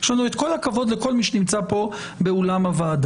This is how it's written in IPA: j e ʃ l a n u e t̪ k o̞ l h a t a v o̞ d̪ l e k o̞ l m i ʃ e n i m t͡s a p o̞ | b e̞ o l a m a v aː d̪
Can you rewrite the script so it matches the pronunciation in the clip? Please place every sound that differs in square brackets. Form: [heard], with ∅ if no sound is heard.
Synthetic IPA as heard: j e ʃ l a n u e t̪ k o̞ l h a [k] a v o̞ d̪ l e k o̞ l m i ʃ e n i m t͡s a p o̞ | b e̞ o l a m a v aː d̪